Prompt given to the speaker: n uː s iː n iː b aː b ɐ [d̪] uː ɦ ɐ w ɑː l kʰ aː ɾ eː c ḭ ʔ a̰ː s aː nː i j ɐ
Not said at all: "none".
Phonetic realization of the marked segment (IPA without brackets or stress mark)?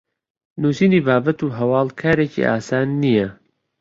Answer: t̪